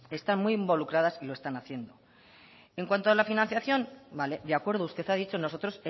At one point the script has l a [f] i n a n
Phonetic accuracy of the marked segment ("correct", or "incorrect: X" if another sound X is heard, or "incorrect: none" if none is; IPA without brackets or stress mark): correct